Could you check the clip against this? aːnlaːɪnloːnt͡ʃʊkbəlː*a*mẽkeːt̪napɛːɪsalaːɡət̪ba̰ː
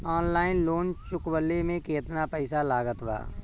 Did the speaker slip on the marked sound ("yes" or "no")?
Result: yes